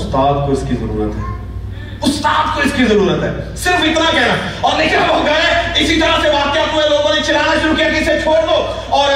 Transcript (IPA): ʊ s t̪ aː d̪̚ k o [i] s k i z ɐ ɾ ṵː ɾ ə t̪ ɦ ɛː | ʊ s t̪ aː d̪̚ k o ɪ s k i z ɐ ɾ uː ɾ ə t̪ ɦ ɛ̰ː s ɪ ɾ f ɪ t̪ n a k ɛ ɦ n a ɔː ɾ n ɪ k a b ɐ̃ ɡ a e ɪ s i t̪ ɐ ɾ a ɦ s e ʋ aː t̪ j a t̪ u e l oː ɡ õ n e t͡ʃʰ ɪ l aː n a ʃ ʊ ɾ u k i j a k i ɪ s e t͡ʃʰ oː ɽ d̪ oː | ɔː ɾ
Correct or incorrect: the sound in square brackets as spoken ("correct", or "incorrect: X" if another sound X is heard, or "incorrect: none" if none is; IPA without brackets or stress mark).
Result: incorrect: ɪ